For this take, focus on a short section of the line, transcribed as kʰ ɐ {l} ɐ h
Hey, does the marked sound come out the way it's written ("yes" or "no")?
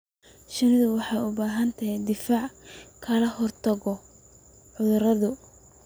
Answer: yes